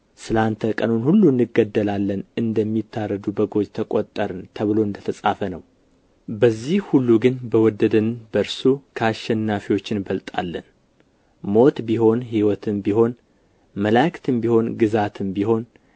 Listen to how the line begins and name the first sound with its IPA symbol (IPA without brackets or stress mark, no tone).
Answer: s